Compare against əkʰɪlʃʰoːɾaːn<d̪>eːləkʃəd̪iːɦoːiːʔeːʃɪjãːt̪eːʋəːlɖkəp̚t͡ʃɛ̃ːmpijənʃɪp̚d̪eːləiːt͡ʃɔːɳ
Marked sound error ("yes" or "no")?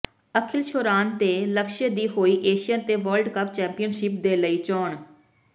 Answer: yes